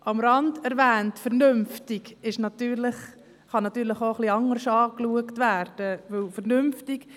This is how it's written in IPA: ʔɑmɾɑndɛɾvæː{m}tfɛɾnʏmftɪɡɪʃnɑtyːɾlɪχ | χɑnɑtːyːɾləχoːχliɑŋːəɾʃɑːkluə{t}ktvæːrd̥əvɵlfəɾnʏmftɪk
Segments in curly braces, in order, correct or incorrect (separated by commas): incorrect, incorrect